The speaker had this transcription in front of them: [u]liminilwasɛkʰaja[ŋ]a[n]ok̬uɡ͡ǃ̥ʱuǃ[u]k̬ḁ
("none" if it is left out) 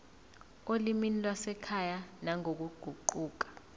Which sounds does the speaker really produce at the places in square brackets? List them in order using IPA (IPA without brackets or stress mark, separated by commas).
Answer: o, n, ŋ, uː